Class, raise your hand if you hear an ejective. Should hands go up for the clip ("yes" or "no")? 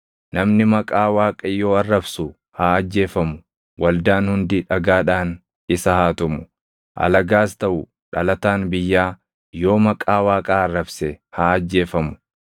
yes